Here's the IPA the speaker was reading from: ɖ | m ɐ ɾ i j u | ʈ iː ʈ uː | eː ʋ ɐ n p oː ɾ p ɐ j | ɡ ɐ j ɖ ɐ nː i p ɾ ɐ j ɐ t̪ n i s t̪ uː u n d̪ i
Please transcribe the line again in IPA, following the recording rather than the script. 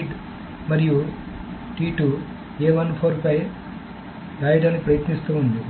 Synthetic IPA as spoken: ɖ | m ɐ ɾ i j u | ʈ iː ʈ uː | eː ʋ ɐ n pʰ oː ɾ p ɐ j | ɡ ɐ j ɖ ɐ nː i p ɾ ɐ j ɐ t̪ n i s t̪ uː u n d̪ i